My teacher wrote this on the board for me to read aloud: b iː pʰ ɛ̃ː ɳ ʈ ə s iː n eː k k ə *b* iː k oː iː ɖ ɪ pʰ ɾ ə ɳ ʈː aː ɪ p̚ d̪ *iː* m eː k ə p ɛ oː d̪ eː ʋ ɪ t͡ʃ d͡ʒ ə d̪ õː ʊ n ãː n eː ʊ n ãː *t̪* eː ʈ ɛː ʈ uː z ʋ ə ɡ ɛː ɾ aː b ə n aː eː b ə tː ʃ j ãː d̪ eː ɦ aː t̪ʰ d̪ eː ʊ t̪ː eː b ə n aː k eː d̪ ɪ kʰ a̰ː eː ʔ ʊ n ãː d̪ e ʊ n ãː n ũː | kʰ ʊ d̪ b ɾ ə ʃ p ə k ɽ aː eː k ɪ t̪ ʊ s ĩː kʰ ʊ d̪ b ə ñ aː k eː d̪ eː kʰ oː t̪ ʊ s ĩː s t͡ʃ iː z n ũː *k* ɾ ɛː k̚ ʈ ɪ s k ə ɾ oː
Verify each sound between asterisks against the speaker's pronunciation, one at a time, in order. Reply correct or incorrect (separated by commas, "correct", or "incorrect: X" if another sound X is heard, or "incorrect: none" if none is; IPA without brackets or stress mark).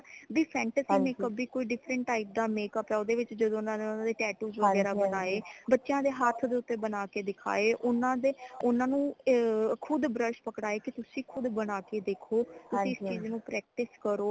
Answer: correct, incorrect: aː, incorrect: d̪, incorrect: p